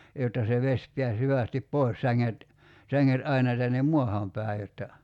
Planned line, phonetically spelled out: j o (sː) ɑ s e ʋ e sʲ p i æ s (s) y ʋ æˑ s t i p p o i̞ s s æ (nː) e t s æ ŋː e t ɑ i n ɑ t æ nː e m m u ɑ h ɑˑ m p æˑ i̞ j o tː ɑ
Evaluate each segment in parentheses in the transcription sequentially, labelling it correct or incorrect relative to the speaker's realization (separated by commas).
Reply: incorrect, incorrect, incorrect